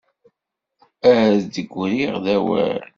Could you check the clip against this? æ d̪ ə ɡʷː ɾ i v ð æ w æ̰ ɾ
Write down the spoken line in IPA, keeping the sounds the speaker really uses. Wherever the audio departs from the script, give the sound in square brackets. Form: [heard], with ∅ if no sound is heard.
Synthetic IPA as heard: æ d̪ ə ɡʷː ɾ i [ʁ] ð æ w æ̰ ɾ